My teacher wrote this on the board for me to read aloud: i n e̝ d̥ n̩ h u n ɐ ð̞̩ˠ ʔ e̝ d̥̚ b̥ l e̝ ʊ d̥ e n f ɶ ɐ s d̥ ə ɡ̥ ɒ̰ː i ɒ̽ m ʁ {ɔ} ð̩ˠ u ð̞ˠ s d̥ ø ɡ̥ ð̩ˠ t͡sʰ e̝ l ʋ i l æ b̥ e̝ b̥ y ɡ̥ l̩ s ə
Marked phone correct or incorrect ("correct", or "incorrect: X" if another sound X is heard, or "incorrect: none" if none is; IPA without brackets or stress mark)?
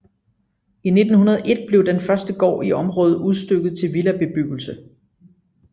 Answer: incorrect: ɔː